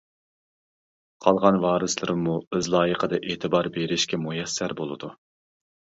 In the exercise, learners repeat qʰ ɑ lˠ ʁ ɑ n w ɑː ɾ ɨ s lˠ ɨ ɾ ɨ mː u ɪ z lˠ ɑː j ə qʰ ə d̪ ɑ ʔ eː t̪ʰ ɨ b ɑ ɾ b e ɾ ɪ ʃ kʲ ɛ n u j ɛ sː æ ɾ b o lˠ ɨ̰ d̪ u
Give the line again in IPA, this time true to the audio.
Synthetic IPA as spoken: qʰ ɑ lˠ ʁ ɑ n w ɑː ɾ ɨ s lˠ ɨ ɾ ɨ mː u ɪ z lˠ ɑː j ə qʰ ə d̪ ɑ ʔ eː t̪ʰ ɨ b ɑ ɾ b e ɾ ɪ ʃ kʲ ɛ m u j ɛ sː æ ɾ b o lˠ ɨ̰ d̪ u